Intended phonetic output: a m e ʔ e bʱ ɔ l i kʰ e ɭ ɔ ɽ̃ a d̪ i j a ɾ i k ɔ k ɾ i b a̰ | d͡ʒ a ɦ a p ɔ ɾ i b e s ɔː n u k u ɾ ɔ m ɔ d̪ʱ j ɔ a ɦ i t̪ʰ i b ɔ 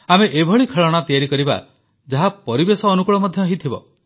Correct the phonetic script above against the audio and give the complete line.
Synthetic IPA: a m e ʔ e bʱ ɔ ɭ i kʰ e ɭ ɔ ɽ̃ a t̪ i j a ɾ i k ɔ ɾ i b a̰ | d͡ʒ a ɦ a p ɔ ɾ i b e s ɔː n u k u ɭ ɔ m ɔ d̪ʱ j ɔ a ɦ i t̪ʰ i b ɔ

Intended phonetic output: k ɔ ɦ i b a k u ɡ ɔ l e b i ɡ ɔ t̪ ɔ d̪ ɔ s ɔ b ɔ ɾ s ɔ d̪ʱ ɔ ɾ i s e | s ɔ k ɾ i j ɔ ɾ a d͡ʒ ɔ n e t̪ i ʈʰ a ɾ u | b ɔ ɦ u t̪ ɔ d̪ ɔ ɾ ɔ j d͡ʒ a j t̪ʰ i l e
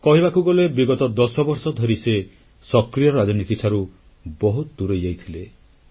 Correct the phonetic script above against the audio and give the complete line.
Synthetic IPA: k ɔ ɦ i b a k u ɡ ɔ l e b i ɡ ɔ t̪ ɔ d̪ ɔ s ɔ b ɔ ɾ s ɔ d̪ʱ ɔ ɾ i s e | s ɔ k ɾ i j ɔ ɾ a d͡ʒ ɔ n i t̪ i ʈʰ a ɾ u | b ɔ ɦ u t̪ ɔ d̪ u ɾ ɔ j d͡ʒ a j t̪ʰ i l e

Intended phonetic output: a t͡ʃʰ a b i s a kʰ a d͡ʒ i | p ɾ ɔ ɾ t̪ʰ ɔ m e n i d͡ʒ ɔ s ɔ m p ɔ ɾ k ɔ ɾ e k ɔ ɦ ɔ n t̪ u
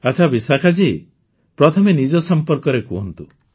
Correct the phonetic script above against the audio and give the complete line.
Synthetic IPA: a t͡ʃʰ a b i s a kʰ a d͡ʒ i | p ɾ ɔ t̪ʰ ɔ m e n i d͡ʒ ɔ s ɔ m p ɔ ɾ k ɔ ɾ e k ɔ ɦ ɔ n t̪ u

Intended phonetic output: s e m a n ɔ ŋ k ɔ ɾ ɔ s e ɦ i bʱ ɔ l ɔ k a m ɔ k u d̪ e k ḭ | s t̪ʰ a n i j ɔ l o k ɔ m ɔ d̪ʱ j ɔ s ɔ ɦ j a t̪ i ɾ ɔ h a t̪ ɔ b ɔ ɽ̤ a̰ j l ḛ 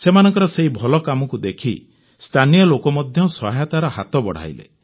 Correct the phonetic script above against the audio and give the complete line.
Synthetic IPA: s e m a n ɔ ŋ k ɔ ɾ ɔ s e ɦ i bʱ ɔ l ɔ k a m ɔ k u d̪ e kʰ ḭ | s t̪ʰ a n i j ɔ l o k ɔ m ɔ d̪ʱ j ɔ s ɔ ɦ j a t̪ a ɾ ɔ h a t̪ ɔ b ɔ ɽ̤ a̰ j l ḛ

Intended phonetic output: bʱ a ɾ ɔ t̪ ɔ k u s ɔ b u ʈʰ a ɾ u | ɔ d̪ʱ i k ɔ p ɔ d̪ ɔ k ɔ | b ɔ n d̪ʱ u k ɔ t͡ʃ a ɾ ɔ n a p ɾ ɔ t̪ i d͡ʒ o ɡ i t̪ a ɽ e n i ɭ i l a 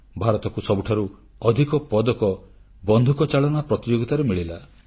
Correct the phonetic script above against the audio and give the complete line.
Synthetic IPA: bʱ a ɾ ɔ t̪ ɔ k u s ɔ b u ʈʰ a ɾ u | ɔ d̪ʱ i k ɔ p ɔ d̪ ɔ k ɔ | b ɔ n d̪ʱ u k ɔ t͡ʃ a ɭ ɔ n a p ɾ ɔ t̪ i d͡ʒ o ɡ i t̪ a ɾ e m i ɭ i l a

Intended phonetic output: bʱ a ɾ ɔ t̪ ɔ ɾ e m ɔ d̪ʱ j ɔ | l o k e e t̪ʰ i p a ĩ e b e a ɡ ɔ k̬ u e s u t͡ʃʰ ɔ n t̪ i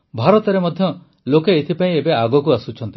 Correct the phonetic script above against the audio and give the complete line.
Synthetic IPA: bʱ a ɾ ɔ t̪ ɔ ɾ e m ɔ d̪ʱ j ɔ | l o k e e t̪ʰ i p a ĩ e b e a ɡ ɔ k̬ u a s u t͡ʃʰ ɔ n t̪ i

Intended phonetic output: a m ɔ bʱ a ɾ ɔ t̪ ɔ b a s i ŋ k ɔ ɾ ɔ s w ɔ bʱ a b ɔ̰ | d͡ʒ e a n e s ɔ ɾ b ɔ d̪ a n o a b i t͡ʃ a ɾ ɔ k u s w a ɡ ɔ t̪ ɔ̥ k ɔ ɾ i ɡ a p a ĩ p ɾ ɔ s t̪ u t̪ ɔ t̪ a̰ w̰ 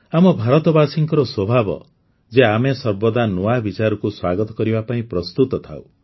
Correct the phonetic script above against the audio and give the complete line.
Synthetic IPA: a m ɔ bʱ a ɾ ɔ t̪ ɔ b a s i ŋ k ɔ ɾ ɔ s w ɔ bʱ a b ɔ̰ | d͡ʒ e a m e s ɔ ɾ b ɔ d̪ a n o a b i t͡ʃ a ɾ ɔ k u s w a ɡ ɔ t̪ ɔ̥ k ɔ ɾ i b a p a ĩ p ɾ ɔ s t̪ u t̪ ɔ t̪ʰ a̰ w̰

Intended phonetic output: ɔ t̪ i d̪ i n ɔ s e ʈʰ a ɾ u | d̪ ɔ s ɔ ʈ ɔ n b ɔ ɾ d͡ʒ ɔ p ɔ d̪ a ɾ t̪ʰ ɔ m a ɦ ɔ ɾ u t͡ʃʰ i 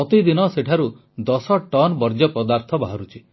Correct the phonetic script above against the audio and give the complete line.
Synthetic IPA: ɔ t̪ i d̪ i n ɔ s e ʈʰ a ɾ u | d̪ ɔ s ɔ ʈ ɔ n b ɔ ɾ d͡ʒ ɔ p ɔ d̪ a ɾ t̪ʰ ɔ b a ɦ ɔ ɾ u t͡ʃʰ i

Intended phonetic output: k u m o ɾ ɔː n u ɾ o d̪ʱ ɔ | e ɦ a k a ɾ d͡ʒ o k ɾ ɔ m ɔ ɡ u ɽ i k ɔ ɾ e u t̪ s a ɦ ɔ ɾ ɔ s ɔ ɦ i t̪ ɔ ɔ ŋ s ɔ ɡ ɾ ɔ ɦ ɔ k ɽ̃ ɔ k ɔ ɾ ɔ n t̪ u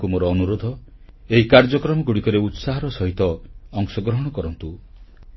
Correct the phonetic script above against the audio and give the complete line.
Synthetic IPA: k u m o ɾ ɔː n u ɾ o d̪ʱ ɔ | e ɦ i k a ɾ d͡ʒ ɔ k ɾ ɔ m ɔ ɡ u ɽ i k ɔ ɾ e u t̪ s a ɦ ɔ ɾ ɔ s ɔ ɦ i t̪ ɔ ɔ ŋ s ɔ ɡ ɾ ɔ ɦ ɔ ɽ̃ ɔ k ɔ ɾ ɔ n t̪ u

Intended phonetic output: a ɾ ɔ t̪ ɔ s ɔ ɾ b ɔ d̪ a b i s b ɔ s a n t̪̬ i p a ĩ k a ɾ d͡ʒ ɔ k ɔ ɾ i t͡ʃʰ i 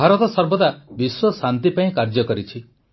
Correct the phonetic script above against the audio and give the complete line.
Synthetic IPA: a ɾ ɔ t̪ ɔ s ɔ ɾ b ɔ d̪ a b i s w ɔ s a n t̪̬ i p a ĩ k a ɾ d͡ʒ ɔ k ɔ ɾ i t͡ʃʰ i

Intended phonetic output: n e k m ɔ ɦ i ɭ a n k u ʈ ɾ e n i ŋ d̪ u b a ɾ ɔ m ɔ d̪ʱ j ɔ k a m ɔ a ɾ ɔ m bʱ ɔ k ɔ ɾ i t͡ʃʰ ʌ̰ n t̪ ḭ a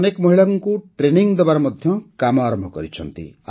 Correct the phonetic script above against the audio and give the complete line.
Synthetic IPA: n e k m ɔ ɦ i ɭ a ŋ k u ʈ ɾ e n i ŋ d̪ ɔ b a ɾ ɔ m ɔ d̪ʱ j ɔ k a m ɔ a ɾ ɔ m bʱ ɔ k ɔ ɾ i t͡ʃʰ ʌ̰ n t̪ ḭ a

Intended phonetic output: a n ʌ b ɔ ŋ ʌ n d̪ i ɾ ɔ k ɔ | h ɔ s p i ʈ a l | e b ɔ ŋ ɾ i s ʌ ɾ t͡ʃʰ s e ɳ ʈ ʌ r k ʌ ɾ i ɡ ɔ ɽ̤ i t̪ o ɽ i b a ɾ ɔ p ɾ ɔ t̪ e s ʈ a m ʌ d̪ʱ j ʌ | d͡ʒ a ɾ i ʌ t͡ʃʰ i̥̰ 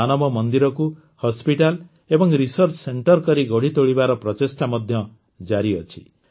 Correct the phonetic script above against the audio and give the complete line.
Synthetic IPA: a n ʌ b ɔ m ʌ n d̪ i ɾ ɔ k u | h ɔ s p i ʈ a l | e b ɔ ŋ ɾ i s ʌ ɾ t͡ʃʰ s e ɳ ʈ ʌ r k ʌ ɾ i ɡ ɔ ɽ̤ i t̪ o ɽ i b a ɾ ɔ p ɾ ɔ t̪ e s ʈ a m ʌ d̪ʱ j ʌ | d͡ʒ a ɾ i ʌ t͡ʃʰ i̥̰

